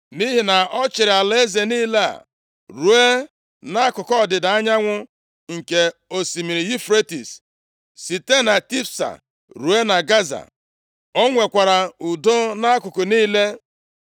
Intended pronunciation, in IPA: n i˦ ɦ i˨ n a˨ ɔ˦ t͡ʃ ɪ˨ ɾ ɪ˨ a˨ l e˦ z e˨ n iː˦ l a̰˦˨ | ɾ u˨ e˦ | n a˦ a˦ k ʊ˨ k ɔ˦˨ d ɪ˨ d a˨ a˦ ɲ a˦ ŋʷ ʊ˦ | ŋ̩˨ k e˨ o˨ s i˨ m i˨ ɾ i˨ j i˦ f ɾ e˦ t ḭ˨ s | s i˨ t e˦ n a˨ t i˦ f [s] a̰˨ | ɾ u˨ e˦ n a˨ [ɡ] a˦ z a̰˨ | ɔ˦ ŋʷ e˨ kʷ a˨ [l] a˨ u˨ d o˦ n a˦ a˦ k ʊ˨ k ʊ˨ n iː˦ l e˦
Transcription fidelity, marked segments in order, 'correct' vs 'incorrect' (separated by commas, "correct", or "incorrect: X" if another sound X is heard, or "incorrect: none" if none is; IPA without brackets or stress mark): correct, correct, incorrect: ɾ